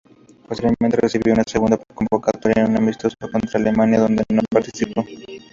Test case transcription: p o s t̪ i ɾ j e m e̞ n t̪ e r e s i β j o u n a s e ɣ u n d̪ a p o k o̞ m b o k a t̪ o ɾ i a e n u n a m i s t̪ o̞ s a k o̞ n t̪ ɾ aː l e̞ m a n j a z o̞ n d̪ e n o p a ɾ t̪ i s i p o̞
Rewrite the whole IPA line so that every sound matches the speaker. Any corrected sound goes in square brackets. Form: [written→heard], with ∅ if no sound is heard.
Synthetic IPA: p o s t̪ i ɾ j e m e̞ n t̪ e r e s i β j o u n a s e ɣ u n d̪ a p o k o̞ m b o k a t̪ o ɾ [i→j] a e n u n a m i s t̪ o̞ s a k o̞ n t̪ ɾ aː l e̞ m a n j a [z→ð] o̞ n d̪ e n o p a ɾ t̪ i s i p o̞